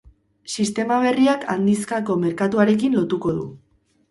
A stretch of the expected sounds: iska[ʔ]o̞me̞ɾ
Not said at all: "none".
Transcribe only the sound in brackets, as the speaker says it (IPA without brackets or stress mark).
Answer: k